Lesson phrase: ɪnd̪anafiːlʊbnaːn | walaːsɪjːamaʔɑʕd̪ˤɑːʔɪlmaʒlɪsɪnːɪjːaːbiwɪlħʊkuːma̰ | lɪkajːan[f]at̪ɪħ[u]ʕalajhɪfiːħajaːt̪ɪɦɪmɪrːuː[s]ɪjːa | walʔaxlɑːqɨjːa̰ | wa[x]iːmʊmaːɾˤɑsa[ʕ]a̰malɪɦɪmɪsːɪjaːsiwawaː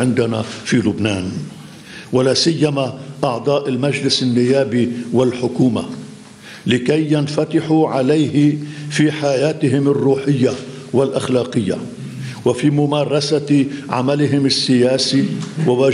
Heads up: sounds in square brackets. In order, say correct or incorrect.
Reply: correct, correct, incorrect, incorrect, correct

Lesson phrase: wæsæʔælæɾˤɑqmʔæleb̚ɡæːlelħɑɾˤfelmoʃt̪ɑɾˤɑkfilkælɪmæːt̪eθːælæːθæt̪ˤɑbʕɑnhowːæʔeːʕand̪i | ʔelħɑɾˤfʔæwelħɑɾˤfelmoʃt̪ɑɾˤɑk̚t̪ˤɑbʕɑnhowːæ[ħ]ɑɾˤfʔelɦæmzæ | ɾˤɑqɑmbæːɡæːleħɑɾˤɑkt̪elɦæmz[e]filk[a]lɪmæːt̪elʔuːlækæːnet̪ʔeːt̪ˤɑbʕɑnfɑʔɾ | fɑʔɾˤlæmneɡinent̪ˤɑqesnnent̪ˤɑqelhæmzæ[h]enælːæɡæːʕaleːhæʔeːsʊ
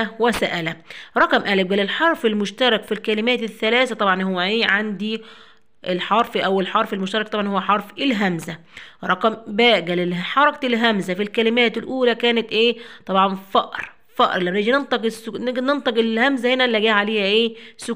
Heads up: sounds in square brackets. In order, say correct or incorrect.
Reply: correct, incorrect, incorrect, correct

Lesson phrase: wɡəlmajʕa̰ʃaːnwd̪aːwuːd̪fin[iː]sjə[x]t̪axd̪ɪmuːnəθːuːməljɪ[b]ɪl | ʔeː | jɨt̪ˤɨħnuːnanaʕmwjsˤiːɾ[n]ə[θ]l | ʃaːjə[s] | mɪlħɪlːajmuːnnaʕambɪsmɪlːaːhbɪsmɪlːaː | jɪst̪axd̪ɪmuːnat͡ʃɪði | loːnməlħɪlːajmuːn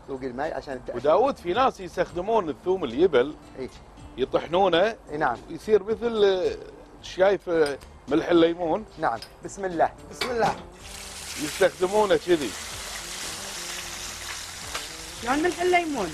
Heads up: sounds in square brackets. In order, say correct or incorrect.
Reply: incorrect, incorrect, correct, incorrect, correct, incorrect

